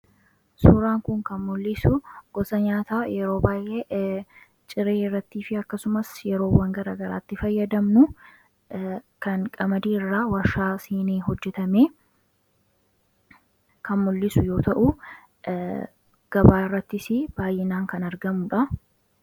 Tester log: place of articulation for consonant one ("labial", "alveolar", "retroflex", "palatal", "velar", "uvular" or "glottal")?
alveolar